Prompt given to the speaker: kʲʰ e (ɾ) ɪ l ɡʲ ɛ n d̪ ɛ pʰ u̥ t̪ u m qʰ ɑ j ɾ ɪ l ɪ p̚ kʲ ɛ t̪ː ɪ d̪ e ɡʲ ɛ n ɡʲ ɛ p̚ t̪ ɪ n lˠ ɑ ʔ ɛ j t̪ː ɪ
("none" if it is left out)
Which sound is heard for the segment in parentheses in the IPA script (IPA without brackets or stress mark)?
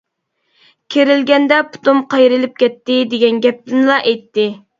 ɾ